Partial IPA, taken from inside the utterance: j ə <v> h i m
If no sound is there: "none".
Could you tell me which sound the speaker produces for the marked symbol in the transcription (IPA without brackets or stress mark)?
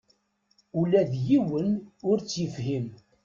f